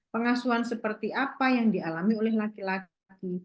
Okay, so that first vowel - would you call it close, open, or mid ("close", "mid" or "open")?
mid